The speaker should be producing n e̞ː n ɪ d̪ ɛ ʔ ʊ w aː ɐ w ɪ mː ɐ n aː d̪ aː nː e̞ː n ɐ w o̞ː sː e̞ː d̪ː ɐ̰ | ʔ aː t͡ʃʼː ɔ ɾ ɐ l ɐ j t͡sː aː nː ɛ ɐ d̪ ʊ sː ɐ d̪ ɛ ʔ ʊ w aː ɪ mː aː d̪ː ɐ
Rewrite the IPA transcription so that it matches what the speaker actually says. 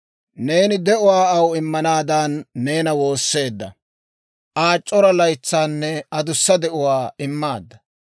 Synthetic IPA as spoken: n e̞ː n ɪ d̪ ɛ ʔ ʊ w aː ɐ w ɪ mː ɐ n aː d̪ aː nː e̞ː n ɐ w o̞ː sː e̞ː d̪ː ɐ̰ | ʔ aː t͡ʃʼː ɔ ɾ ɐ l ɐ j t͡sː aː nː ɛ ɐ d̪ ʊ sː ɐ d̪ ɛ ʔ ʊ w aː ɪ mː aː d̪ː ɐ

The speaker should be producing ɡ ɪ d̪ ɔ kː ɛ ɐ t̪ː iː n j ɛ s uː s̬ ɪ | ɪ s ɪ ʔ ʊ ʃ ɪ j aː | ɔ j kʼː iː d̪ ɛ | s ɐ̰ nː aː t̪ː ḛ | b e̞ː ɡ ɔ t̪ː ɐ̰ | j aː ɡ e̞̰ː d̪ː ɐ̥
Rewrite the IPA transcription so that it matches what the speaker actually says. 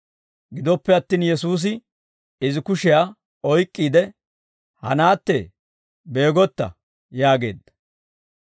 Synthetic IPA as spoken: ɡ ɪ d̪ ɔ pː ɛ ɐ t̪ː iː n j ɛ s uː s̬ ɪ | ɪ z ɪ k ʊ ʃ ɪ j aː | ɔ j kʼː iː d̪ ɛ | h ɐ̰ n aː t̪ː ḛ | b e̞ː ɡ ɔ t̪ː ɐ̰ | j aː ɡ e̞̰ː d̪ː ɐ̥

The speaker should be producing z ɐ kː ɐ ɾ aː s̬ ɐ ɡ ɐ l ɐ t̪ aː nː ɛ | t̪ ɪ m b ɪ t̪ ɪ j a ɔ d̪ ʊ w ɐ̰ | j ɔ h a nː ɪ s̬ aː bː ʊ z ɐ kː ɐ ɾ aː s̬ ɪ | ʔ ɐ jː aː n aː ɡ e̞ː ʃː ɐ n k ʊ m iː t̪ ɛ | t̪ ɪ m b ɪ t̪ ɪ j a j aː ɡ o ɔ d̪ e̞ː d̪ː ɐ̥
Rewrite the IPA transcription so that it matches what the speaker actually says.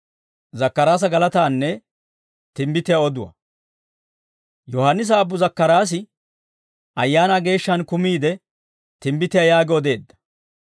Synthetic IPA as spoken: z ɐ kː ɐ ɾ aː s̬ ɐ ɡ ɐ l ɐ t̪ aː nː ɛ | t̪ ɪ m b ɪ t̪ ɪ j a ɔ d̪ ʊ w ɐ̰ | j ɔ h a nː ɪ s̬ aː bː ʊ z ɐ kː ɐ ɾ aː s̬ ɪ | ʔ ɐ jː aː n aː ɡ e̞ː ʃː ɐ n k ʊ m iː d̪ ɛ | t̪ ɪ m b ɪ t̪ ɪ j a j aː ɡ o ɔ d̪ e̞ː d̪ː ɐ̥

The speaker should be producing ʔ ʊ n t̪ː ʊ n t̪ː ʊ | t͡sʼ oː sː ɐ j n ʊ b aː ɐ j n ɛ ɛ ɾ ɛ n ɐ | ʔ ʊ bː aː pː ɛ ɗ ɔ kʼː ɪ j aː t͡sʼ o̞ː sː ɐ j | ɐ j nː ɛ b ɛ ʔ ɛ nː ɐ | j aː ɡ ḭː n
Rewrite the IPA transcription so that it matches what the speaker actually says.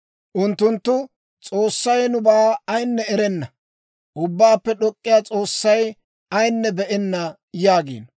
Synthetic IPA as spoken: ʔ ʊ n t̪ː ʊ n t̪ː ʊ | t͡sʼ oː sː ɐ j n ʊ b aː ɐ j nː ɛ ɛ ɾ ɛ nː ɐ | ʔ ʊ bː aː pː ɛ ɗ ɔ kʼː ɪ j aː t͡sʼ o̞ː sː ɐ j | ɐ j nː ɛ b ɛ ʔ ɛ nː ɐ | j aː ɡ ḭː n

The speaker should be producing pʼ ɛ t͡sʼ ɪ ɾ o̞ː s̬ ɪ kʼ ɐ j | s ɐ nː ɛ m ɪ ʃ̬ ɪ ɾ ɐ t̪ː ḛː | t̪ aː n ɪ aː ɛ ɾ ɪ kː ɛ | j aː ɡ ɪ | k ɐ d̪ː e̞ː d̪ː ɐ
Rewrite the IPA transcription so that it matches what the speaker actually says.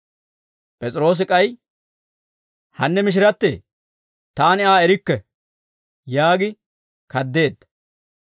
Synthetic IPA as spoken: pʼ ɛ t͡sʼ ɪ ɾ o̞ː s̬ ɪ kʼ ɐ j | h ɐ nː ɛ m ɪ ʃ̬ ɪ ɾ ɐ t̪ː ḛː | t̪ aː n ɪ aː ɛ ɾ ɪ kː ɛ | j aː ɡ ɪ | k ɐ d̪ː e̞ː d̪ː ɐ

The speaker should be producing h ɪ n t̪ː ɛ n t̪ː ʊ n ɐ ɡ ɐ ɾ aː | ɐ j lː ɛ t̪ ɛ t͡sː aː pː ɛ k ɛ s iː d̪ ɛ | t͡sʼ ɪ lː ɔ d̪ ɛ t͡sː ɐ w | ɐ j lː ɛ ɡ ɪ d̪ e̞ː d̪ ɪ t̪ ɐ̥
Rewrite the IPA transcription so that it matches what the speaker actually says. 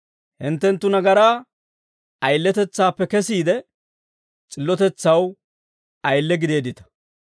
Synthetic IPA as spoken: h ɪ n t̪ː ɛ n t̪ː ʊ n ɐ ɡ ɐ ɾ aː | ɐ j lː ɛ t̪ ɛ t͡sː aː pː ɛ k ɛ s iː d̪ ɛ | t͡sʼ ɪ lː ɔ t̪ ɛ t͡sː ɐ w | ɐ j lː ɛ ɡ ɪ d̪ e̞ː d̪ ɪ t̪ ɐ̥

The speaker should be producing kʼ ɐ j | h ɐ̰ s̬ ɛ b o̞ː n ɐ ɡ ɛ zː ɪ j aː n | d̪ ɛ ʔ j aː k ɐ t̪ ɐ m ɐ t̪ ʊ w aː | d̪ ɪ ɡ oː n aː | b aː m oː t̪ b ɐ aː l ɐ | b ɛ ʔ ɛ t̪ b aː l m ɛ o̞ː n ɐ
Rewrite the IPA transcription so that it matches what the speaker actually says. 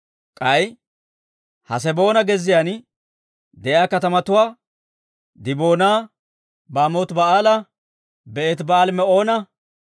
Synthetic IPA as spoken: kʼ ɐ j | h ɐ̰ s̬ ɛ b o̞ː n ɐ ɡ ɛ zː ɪ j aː n | d̪ ɛ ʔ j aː k ɐ t̪ ɐ m ɐ t̪ ʊ w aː | d̪ ɪ b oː n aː | b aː m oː t̪ b ɐ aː l ɐ | b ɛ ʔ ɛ t̪ b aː l m ɛ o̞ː n ɐ

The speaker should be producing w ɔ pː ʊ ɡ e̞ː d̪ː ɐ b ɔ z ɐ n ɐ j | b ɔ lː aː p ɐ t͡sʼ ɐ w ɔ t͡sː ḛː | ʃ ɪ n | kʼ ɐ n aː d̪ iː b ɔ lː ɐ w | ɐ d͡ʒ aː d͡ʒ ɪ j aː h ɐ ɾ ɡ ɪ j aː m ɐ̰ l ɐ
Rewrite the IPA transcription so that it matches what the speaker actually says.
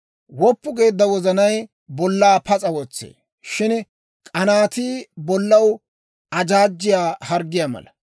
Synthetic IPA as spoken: w ɔ pː ʊ ɡ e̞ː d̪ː ɐ w ɔ z ɐ n ɐ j | b ɔ lː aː p ɐ t͡sʼ ɐ w ɔ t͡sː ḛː | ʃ ɪ n | kʼ ɐ n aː t̪ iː b ɔ lː ɐ w | ɐ d͡ʒ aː d͡ʒː ɪ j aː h ɐ ɾ ɡ ɪ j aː m ɐ̰ l ɐ

